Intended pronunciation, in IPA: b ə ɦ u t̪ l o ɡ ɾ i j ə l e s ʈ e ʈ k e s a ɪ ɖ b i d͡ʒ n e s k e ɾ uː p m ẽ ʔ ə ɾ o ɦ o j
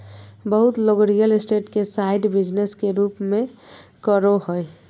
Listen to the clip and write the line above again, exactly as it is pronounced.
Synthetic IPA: b ə ɦ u t̪ l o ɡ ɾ i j ə l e s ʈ e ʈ k e s a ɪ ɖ b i d͡ʒ n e s k e ɾ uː p m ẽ k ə ɾ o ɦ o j